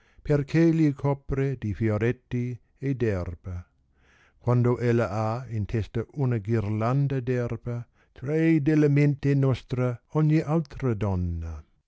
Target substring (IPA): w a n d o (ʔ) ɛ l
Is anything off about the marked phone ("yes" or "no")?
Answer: no